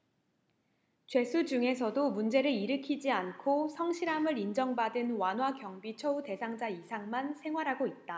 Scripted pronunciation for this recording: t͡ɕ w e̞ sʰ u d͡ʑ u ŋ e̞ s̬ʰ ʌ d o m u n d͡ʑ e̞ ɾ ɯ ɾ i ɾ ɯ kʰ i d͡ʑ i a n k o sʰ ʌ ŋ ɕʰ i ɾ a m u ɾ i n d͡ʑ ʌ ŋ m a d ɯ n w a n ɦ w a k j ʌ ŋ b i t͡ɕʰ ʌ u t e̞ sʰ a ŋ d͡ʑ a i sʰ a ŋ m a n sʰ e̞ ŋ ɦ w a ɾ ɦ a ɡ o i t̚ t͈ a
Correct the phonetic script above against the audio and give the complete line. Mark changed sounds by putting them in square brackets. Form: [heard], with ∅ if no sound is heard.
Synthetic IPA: t͡ɕ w e̞ sʰ u d͡ʑ u ŋ e̞ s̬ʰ ʌ d o m u n d͡ʑ e̞ ɾ ɯ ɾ i ɾ ɯ kʰ i d͡ʑ i a n [kʰ] o sʰ ʌ ŋ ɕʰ i ɾ a m [ɯ] ɾ i n d͡ʑ ʌ ŋ [b] a d ɯ n w a n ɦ w a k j ʌ ŋ b i t͡ɕʰ ʌ u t e̞ sʰ a ŋ d͡ʑ a i sʰ a ŋ m a n sʰ e̞ ŋ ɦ w a ɾ ɦ a ɡ o i t̚ t͈ a